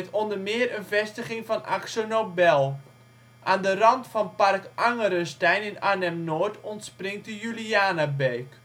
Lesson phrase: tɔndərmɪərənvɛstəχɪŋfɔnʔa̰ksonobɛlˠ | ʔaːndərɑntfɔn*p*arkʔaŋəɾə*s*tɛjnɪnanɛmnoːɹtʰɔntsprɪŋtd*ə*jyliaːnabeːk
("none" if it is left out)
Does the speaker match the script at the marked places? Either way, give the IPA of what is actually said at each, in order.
p, s, ə

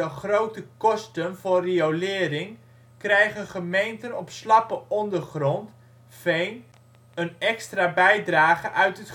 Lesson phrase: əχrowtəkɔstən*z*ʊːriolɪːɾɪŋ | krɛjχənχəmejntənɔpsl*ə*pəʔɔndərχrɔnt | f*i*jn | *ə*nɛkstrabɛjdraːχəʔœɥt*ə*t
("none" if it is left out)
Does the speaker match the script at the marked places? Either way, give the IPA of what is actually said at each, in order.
v, ɑ, e, ə, ə

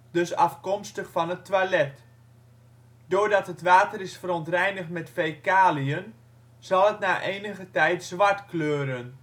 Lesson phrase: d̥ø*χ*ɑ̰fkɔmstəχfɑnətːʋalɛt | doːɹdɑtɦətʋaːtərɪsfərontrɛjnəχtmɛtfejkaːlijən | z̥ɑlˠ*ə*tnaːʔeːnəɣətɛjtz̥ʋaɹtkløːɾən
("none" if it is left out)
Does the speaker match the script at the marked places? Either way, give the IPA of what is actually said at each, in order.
s, ə

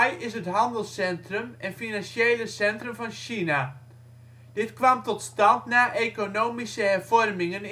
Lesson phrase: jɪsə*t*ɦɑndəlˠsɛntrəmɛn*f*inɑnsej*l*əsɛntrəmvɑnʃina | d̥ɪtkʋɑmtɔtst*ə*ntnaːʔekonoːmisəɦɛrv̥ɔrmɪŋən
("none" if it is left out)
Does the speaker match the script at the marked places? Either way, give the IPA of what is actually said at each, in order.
t, f, l, ɑ

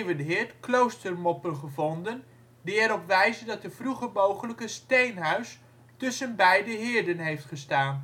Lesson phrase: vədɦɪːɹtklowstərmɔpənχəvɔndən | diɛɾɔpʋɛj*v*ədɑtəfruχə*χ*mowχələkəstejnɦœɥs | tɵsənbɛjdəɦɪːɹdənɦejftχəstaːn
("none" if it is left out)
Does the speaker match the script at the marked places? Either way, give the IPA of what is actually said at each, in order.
z, none

